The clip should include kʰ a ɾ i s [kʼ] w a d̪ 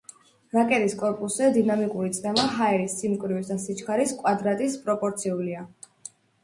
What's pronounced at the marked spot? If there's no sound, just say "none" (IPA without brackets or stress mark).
kʼ